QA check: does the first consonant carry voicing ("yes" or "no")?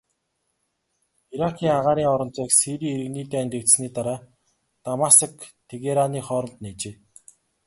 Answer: yes